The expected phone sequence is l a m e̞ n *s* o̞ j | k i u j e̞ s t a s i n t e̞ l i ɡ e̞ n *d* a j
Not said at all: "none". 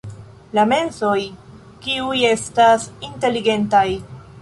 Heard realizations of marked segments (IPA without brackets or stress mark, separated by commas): s, t